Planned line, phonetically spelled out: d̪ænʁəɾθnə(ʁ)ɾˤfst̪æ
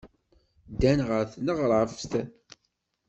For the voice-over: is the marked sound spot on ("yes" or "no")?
yes